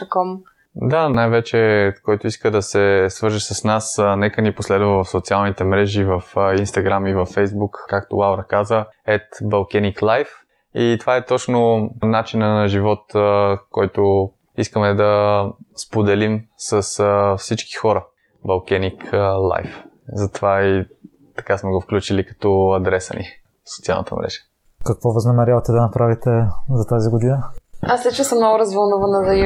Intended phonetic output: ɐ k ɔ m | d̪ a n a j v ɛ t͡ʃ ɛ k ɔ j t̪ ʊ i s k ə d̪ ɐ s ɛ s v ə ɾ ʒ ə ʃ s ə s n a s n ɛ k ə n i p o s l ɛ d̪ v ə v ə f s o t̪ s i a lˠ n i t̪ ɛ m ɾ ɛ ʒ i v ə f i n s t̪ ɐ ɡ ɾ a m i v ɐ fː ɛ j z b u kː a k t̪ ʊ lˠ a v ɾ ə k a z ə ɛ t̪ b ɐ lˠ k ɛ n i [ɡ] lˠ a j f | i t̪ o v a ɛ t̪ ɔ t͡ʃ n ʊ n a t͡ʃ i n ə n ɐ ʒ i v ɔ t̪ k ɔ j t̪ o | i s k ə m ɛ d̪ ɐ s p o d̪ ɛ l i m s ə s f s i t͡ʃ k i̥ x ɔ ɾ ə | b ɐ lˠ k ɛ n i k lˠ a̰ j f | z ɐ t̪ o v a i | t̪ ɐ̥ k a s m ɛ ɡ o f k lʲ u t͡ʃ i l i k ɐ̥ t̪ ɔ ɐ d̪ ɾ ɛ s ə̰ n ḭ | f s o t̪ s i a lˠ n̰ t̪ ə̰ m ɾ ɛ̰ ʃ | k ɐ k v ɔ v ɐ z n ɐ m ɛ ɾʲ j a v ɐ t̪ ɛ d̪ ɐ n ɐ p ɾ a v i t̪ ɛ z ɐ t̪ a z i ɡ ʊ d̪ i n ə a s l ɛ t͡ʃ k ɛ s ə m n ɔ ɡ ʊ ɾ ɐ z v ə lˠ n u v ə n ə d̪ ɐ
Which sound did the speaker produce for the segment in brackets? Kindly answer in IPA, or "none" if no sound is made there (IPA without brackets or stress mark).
k